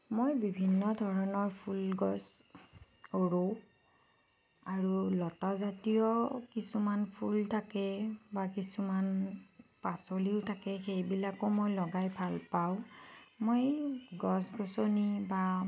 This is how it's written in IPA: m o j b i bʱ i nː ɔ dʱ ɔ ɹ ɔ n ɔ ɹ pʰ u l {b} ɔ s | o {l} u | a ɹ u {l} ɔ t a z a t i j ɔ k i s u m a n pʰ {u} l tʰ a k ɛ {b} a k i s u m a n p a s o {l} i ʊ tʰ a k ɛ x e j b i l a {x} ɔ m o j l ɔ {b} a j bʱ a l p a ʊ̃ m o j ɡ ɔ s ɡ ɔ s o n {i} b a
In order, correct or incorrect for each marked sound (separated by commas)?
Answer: incorrect, incorrect, correct, correct, correct, correct, incorrect, incorrect, correct